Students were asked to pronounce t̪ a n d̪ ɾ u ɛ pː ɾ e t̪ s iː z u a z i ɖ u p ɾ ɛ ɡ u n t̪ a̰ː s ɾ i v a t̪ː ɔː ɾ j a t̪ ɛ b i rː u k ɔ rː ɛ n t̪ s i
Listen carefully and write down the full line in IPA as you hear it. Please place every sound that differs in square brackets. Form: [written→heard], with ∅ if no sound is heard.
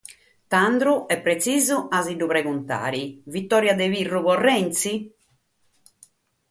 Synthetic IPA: t̪ a n d̪ ɾ u ɛ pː ɾ e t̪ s iː z u a z i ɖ u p ɾ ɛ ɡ u n t̪ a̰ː [s→∅] ɾ i v [a→i] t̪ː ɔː ɾ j a [t̪→d̪] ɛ [b→v] i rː u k ɔ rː ɛ n t̪ s i